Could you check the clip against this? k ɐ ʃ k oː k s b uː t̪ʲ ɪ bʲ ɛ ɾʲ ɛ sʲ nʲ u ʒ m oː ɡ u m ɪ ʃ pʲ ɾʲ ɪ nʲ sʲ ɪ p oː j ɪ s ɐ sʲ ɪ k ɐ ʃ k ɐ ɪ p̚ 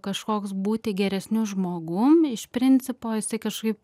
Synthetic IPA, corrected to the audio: k ɐ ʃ k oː k s b uː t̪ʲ ɪ ɡʲ ɛ ɾʲ ɛ sʲ nʲ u ʒ m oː ɡ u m ɪ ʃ pʲ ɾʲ ɪ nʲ t͡sʲ ɪ p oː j ɪ s ɐ ɪ k ɐ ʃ k ɐ ɪ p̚